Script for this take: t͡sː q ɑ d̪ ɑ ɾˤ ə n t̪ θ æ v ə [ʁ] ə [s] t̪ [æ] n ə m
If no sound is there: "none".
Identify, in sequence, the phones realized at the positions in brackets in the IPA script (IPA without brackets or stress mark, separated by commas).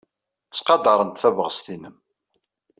ʁ, s, i